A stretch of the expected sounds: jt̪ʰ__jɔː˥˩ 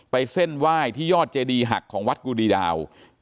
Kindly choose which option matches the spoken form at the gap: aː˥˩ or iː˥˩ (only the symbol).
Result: iː˥˩